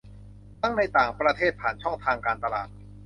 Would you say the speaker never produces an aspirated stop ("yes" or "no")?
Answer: no